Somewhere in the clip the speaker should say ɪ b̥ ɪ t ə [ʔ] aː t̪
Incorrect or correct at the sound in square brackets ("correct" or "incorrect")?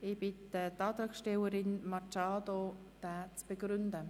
incorrect